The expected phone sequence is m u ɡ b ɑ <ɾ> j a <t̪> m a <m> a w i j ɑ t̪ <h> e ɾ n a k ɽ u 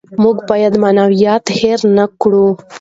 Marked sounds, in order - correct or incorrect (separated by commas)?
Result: incorrect, incorrect, incorrect, correct